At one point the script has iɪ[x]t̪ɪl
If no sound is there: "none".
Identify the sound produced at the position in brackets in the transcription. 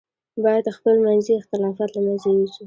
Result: x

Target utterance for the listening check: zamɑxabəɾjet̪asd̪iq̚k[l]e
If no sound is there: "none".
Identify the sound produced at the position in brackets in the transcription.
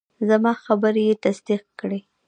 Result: ɽ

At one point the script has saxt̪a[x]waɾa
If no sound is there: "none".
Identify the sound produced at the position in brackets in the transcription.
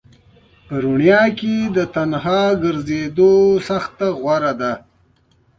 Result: ɣ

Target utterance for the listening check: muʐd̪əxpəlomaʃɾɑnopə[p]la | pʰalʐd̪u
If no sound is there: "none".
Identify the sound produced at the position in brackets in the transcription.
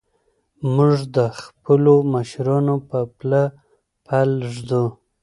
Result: p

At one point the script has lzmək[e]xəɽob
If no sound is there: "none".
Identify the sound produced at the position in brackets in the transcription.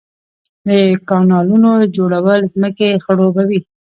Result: e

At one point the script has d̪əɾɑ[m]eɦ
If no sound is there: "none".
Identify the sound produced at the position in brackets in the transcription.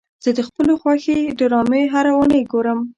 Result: m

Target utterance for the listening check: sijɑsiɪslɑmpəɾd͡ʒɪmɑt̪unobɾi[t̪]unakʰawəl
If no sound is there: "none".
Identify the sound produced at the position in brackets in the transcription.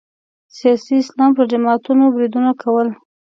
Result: d̪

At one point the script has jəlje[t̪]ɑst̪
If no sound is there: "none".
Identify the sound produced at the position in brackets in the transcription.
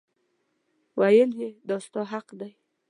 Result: d̪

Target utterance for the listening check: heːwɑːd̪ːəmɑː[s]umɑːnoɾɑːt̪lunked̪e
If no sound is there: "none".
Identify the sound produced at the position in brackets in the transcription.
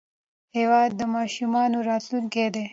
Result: ʃ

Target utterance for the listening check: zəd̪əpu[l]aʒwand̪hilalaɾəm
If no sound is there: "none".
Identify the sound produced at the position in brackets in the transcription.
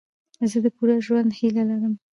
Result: ɾ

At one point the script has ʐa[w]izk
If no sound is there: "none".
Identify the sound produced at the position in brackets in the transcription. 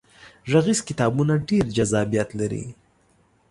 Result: ɣ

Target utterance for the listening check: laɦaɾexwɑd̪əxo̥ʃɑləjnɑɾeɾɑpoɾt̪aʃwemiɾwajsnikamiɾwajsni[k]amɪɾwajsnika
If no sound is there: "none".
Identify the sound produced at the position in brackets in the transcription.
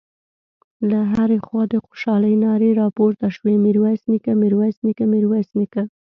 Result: k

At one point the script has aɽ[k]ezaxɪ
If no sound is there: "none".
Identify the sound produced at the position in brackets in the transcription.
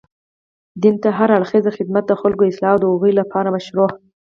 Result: x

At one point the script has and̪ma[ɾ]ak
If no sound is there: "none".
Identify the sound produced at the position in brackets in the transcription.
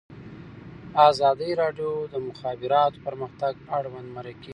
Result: ɾ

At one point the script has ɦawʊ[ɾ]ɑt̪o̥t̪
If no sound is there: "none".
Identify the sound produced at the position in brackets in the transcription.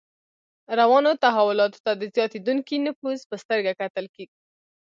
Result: l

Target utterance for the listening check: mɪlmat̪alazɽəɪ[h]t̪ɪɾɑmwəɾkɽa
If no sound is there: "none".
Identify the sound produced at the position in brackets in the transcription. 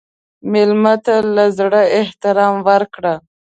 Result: h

